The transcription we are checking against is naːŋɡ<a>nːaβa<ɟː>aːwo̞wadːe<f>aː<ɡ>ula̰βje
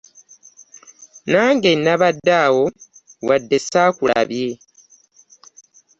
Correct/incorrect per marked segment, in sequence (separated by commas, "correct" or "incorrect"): incorrect, incorrect, incorrect, incorrect